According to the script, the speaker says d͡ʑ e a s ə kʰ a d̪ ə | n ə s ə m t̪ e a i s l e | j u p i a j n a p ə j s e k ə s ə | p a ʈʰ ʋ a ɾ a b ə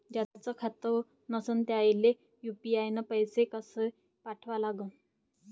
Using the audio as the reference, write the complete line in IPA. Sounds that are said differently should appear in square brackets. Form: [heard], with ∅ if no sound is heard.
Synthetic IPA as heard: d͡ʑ [a] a [t͡s] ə kʰ a [t̪] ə | n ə s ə [n] t̪ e a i [∅] l e | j u p i a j n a p ə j s e k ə s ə | p a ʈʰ ʋ a [l] a [ɡ] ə